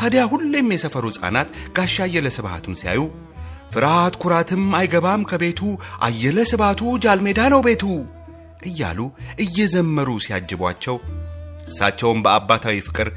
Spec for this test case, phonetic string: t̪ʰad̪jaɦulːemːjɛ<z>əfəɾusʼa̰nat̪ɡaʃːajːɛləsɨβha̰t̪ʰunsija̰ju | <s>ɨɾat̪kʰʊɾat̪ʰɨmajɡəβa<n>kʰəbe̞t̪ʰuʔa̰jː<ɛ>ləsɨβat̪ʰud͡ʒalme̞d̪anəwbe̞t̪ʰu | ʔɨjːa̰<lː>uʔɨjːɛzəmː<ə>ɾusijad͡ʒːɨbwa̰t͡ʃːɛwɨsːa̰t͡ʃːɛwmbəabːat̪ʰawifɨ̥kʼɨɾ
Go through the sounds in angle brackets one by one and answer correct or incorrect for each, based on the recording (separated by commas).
incorrect, incorrect, incorrect, correct, incorrect, correct